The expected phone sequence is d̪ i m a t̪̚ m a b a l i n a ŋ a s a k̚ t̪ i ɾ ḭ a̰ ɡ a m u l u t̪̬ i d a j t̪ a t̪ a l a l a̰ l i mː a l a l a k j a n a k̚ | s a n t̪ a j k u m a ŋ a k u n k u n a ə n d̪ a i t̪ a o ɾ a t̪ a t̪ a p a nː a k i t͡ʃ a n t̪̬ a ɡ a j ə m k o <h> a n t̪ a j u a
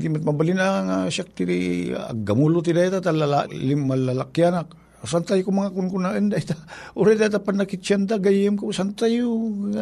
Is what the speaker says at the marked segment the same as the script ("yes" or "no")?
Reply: no